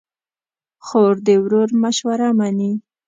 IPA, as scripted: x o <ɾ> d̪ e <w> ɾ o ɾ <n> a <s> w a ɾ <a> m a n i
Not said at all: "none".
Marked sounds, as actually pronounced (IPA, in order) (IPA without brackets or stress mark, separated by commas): ɾ, w, m, ʃ, a